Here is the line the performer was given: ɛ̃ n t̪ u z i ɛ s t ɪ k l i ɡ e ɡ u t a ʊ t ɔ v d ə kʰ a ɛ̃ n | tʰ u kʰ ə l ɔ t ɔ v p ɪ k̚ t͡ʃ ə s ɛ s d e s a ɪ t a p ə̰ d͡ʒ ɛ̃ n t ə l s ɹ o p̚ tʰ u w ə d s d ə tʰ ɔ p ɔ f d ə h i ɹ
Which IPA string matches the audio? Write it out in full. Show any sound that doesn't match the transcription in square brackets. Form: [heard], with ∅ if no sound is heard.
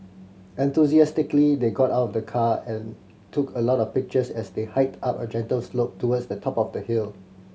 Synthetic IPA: ɛ̃ n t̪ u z i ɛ s t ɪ k l i [d] e ɡ [ɔ] t a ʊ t ɔ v d ə kʰ a ɛ̃ n | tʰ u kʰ ə l ɔ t ɔ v p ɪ k̚ t͡ʃ ə s ɛ s d e [h] a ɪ t a p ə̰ d͡ʒ ɛ̃ n t ə l s [l] o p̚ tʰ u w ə d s d ə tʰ ɔ p ɔ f d ə h i [l]